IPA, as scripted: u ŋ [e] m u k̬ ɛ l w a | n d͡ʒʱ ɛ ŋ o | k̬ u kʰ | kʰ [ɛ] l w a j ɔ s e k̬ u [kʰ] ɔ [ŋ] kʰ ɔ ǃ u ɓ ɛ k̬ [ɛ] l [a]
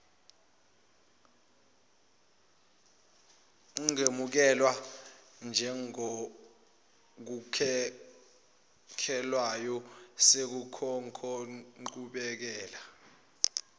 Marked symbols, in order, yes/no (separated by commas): yes, yes, yes, yes, no, yes